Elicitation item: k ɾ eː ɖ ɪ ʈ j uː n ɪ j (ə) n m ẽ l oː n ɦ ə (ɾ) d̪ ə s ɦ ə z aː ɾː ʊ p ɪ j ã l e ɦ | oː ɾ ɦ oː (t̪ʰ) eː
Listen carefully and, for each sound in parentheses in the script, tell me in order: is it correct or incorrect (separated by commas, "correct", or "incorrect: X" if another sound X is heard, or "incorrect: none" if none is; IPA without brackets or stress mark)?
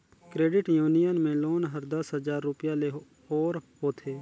correct, correct, correct